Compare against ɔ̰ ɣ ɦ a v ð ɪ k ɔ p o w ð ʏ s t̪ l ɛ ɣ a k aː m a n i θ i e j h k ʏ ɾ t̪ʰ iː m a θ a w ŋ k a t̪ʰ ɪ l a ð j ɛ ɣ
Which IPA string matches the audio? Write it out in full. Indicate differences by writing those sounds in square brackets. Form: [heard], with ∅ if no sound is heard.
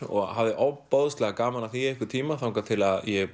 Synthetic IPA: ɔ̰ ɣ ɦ a v ð ɪ [ʔ] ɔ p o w ð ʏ s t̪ l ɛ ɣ a k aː m a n [a] θ i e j h k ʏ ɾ t̪ʰ iː m a θ a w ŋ k a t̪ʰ ɪ l a ð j ɛ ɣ